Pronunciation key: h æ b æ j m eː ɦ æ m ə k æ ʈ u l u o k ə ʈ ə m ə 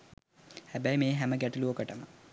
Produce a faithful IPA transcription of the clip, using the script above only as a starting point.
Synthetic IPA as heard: h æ b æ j m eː ɦ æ m ə ɡ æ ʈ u l u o k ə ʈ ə m ə